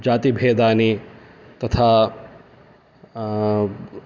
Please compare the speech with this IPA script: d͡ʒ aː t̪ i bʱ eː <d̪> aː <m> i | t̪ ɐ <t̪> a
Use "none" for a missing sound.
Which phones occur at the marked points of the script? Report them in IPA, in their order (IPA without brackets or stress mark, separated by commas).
d̪, n, t̪ʰ